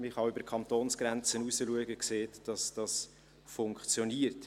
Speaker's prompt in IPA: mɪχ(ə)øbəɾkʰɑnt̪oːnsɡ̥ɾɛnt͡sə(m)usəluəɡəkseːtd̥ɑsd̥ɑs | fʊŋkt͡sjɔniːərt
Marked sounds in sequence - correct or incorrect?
incorrect: ɑ, incorrect: n

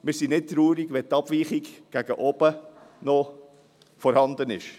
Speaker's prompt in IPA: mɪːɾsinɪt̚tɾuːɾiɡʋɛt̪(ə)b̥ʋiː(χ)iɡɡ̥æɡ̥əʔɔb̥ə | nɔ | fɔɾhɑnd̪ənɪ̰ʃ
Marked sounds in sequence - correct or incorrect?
incorrect: ɑ, correct

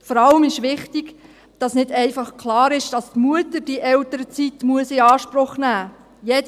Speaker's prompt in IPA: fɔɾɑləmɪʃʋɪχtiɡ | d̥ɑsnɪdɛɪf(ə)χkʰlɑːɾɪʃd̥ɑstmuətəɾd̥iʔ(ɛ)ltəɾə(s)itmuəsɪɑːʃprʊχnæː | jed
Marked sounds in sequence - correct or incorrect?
incorrect: ɑ, correct, incorrect: t͡s

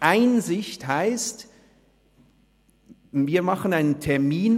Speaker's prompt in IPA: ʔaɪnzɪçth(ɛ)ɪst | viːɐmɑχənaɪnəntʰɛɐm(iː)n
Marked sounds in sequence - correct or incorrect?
incorrect: a, correct

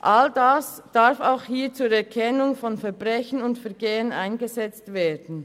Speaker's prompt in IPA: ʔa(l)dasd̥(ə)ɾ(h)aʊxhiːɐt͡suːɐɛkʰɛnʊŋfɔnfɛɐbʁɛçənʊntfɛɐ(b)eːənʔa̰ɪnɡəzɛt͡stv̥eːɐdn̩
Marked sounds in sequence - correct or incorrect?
correct, incorrect: a, incorrect: f, incorrect: ɡ

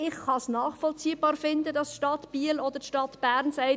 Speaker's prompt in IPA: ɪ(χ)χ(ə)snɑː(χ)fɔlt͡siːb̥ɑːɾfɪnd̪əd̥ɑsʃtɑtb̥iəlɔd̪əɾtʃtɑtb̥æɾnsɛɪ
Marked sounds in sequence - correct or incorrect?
correct, incorrect: ɑ, correct

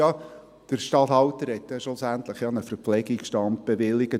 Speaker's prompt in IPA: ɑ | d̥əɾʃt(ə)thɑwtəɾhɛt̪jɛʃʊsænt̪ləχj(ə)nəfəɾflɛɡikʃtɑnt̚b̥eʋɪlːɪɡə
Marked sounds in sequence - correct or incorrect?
incorrect: ɑ, incorrect: ɑ

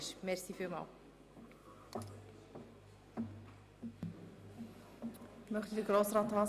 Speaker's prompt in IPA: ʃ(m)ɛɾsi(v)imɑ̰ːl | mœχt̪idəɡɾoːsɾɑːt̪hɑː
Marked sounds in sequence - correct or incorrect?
correct, incorrect: f

